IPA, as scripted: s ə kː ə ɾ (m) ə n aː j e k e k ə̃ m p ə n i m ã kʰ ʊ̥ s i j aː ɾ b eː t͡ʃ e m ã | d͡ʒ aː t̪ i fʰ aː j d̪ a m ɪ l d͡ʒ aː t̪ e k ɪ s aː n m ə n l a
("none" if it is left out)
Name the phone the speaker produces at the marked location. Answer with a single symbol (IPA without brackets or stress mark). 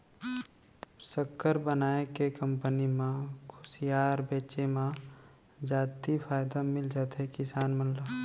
b